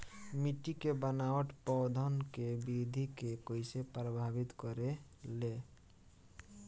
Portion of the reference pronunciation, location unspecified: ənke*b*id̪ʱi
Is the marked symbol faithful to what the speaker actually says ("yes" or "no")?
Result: yes